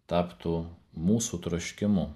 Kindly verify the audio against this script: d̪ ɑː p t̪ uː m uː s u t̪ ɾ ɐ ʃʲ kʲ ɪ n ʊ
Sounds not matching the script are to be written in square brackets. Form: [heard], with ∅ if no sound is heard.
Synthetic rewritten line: [t̪] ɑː p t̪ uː m uː s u t̪ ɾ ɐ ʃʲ kʲ ɪ [m] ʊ